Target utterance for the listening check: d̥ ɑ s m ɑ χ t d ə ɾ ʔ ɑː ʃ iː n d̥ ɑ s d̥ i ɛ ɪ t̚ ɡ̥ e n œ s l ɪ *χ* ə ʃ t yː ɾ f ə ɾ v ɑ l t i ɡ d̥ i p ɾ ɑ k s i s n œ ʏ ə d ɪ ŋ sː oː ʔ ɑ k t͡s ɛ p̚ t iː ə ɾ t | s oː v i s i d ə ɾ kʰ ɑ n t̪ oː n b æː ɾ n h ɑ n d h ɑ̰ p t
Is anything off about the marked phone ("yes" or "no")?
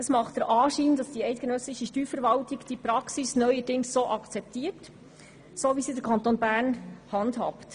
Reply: yes